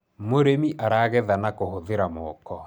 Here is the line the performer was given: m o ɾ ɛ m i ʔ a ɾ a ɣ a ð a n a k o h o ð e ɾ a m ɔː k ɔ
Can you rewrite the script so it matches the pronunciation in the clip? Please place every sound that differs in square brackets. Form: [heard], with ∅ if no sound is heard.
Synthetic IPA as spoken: m o ɾ [e] m i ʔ a ɾ a ɣ [ɛ] ð a n a k o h o ð e ɾ a m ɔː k ɔ